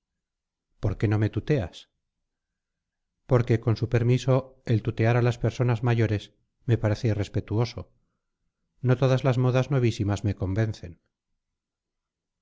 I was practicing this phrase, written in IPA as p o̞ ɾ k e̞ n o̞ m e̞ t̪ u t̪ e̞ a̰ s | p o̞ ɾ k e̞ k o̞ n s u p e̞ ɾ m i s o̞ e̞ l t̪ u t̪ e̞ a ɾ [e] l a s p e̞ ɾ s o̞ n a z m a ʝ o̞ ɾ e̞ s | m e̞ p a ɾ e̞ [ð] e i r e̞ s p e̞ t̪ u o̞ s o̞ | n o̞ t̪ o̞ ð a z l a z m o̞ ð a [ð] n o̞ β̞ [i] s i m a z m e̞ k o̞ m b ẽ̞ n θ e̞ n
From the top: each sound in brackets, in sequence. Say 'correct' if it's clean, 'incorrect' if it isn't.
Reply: incorrect: a, incorrect: θ, incorrect: z, correct

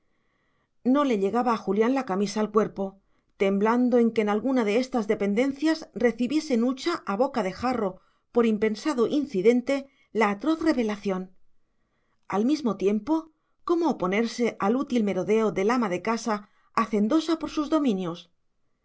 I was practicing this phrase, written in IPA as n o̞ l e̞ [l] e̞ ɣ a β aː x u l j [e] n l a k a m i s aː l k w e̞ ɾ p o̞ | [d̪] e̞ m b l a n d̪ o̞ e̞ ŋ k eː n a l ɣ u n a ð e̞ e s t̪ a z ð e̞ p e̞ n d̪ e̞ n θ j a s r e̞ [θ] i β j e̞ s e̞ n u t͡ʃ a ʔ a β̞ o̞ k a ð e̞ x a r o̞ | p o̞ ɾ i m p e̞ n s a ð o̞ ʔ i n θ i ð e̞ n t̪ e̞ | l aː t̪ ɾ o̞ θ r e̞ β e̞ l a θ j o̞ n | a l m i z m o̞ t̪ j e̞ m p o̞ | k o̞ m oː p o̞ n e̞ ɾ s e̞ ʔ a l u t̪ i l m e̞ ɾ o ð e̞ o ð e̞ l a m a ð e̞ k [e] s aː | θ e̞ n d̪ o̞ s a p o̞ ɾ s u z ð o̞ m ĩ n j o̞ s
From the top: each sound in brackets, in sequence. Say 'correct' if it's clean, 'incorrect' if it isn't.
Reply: incorrect: ʎ, incorrect: a, incorrect: t̪, correct, incorrect: a

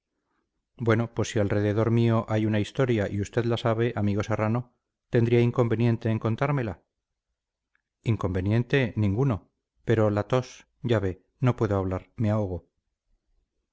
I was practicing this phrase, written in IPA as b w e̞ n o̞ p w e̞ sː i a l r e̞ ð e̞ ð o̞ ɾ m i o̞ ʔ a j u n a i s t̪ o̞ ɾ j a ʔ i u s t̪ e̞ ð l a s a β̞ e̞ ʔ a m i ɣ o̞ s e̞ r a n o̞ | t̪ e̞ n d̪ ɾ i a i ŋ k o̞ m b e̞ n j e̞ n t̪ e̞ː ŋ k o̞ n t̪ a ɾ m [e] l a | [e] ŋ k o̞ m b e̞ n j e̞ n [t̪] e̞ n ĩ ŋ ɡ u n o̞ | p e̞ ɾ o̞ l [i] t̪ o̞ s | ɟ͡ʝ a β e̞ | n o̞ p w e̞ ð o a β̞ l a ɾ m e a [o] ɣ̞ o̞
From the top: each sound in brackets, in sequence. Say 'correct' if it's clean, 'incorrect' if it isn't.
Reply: correct, incorrect: i, correct, incorrect: a, correct

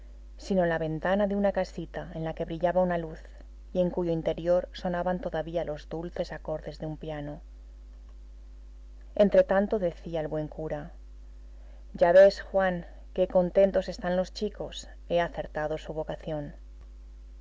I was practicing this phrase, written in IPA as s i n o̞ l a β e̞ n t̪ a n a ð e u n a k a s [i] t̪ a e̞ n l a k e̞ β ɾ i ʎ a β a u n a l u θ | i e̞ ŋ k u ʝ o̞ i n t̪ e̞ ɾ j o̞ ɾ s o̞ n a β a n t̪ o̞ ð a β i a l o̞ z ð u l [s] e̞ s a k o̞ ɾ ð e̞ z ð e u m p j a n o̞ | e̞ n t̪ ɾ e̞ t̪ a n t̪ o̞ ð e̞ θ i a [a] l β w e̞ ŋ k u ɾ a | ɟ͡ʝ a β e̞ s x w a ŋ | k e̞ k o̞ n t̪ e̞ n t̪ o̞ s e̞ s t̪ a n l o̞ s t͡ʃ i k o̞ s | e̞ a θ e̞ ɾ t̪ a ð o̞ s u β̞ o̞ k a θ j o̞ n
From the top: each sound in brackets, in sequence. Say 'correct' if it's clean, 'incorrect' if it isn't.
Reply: correct, incorrect: θ, incorrect: e

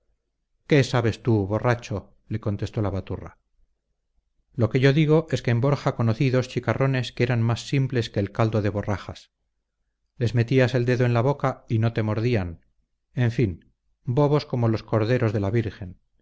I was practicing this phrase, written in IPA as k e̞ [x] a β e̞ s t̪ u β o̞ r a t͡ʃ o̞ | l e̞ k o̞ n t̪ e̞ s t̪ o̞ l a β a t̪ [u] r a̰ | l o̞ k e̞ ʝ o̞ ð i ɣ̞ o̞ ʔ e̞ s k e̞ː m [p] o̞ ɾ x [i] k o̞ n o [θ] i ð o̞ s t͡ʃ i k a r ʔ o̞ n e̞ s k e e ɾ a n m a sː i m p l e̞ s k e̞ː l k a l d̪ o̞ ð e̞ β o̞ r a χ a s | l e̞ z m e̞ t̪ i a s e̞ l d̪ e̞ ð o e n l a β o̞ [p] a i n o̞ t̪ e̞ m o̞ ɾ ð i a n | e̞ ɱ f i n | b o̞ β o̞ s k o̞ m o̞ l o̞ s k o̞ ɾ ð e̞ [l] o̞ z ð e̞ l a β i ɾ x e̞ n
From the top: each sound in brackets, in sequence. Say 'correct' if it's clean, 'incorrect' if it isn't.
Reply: incorrect: s, correct, incorrect: b, incorrect: a, correct, incorrect: k, incorrect: ɾ

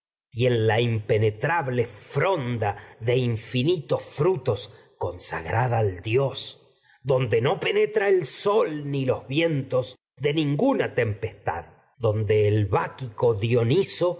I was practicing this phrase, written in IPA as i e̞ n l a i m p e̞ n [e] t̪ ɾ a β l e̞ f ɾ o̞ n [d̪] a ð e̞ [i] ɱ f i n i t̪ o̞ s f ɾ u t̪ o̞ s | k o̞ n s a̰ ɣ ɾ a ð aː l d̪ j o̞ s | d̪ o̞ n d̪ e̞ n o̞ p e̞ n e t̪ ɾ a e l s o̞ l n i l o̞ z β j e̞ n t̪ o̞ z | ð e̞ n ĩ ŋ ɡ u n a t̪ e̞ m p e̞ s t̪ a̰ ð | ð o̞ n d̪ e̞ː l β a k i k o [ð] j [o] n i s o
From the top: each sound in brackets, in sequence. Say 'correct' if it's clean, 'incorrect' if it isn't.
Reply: correct, correct, correct, correct, correct

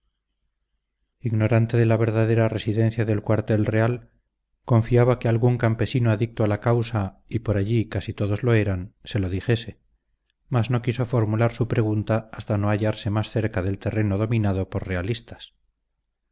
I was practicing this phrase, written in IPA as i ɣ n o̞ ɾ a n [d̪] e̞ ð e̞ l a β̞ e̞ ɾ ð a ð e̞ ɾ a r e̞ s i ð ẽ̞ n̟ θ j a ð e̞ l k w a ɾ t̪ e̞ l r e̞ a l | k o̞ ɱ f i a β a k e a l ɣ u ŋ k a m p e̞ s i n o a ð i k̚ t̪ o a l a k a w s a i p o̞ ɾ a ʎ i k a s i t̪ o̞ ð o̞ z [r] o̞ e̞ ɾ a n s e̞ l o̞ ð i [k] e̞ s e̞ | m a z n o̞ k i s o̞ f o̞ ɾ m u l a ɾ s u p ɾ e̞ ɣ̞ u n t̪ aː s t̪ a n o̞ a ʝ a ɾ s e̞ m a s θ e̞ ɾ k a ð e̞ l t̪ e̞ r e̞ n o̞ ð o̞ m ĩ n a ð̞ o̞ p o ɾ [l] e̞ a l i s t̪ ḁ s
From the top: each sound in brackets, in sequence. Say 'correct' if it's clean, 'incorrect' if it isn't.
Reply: incorrect: t̪, incorrect: l, incorrect: x, incorrect: r

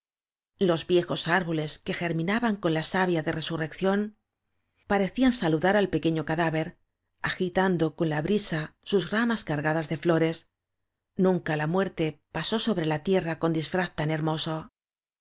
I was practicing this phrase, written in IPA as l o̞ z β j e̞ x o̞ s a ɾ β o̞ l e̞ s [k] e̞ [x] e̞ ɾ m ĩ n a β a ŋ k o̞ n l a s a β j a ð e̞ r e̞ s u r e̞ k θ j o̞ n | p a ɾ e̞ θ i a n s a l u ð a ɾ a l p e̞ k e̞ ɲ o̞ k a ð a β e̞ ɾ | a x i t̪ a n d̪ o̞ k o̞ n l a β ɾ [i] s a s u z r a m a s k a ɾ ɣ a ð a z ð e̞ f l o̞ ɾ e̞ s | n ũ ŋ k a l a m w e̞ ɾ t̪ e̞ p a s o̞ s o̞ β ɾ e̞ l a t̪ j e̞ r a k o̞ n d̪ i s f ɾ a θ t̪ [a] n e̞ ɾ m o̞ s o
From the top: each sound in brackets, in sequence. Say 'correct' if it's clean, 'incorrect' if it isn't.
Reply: correct, correct, correct, correct

